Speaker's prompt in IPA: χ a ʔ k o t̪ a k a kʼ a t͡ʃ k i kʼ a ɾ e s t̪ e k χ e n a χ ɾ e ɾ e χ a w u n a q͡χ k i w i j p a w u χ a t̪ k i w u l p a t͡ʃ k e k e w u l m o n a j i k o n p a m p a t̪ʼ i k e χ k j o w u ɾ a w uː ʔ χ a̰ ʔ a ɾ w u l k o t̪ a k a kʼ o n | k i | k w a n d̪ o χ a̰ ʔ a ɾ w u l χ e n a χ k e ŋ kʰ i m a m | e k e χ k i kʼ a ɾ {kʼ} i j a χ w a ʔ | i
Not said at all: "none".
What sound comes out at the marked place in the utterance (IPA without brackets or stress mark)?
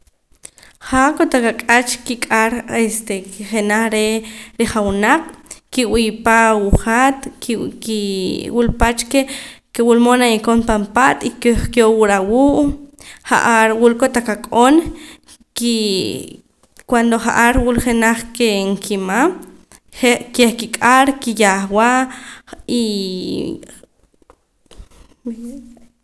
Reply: k